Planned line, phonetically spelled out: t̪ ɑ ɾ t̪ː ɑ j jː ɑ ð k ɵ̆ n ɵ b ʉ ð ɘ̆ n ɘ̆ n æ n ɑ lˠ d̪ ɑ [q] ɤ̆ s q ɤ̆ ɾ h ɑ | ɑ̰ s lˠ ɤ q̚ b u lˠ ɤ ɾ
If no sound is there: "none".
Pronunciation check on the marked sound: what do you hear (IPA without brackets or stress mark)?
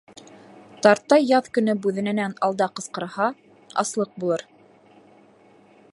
q